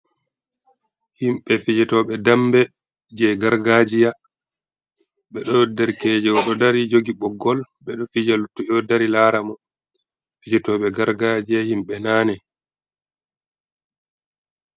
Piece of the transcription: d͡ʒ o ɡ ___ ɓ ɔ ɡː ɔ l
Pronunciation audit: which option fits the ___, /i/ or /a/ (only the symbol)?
i